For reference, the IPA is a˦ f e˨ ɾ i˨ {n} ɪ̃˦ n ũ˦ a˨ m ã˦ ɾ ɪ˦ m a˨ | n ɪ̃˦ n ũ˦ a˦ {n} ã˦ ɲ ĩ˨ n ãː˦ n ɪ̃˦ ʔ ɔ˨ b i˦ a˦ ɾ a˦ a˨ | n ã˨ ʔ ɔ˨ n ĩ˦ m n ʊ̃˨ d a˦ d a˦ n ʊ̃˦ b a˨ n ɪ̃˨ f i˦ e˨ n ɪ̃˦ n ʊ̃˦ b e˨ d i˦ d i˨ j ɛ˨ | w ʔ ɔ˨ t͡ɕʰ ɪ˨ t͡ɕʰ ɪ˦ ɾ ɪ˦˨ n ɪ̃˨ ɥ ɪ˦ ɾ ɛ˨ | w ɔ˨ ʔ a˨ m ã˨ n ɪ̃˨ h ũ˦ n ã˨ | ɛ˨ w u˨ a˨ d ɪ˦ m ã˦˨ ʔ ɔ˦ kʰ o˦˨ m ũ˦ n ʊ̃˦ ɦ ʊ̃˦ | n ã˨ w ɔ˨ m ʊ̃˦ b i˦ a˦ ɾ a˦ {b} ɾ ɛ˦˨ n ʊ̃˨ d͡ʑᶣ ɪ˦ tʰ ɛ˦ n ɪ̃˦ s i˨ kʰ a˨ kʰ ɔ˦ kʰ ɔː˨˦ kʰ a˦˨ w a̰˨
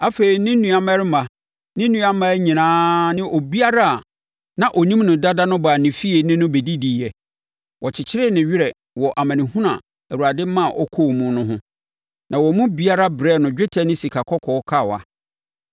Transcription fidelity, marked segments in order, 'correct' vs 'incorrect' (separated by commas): correct, incorrect, correct